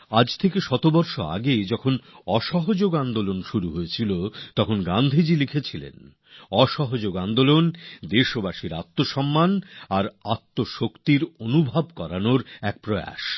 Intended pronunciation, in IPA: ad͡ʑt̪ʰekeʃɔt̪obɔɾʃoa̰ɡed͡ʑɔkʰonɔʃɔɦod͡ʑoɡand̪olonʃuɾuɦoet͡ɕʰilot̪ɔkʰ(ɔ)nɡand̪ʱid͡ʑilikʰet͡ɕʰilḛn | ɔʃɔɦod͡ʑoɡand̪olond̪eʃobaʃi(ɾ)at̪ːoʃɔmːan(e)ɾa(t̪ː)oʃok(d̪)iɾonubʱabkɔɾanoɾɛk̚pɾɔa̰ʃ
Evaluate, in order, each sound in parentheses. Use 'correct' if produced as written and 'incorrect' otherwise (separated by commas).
incorrect, correct, incorrect, correct, incorrect